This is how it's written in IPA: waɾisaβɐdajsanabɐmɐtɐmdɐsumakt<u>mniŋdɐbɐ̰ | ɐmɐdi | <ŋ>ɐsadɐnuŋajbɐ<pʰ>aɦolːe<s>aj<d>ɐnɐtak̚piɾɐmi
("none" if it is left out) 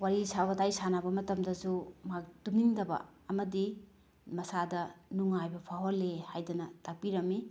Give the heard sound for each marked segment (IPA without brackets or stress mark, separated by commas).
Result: u, m, pʰ, h, d